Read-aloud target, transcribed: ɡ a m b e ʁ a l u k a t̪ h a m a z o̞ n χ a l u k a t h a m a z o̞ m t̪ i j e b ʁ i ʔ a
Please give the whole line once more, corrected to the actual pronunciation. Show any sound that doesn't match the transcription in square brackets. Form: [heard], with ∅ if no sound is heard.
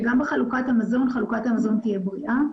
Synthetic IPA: ɡ a m b e [χ] a l u k a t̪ h a m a z o̞ n χ a l u k a t h a m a z o̞ [n] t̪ i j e b ʁ i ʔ a